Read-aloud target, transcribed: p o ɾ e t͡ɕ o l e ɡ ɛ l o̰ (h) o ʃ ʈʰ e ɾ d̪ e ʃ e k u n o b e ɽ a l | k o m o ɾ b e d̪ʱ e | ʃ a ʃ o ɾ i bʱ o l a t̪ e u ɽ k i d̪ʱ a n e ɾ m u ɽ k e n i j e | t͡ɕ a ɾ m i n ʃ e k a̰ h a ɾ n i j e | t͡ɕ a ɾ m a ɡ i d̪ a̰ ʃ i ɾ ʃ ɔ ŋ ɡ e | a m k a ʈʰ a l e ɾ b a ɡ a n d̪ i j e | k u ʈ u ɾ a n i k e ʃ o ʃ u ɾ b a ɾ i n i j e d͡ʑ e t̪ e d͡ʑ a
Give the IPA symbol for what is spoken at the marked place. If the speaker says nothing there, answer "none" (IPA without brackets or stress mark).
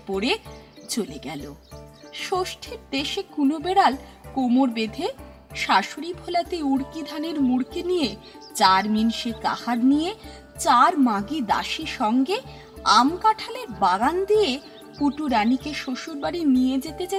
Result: ʃ